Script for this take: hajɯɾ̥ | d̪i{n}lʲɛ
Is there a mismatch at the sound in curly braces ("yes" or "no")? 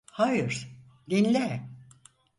no